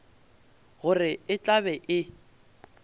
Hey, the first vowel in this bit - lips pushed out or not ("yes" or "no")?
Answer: yes